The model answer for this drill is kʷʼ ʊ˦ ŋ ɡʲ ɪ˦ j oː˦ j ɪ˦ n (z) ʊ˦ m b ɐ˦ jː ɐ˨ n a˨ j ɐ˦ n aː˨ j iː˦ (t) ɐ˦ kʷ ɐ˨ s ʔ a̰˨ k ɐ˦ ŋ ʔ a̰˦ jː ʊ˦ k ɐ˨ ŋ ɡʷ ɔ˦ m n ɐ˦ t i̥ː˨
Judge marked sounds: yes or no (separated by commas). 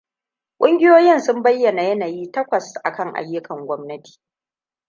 no, yes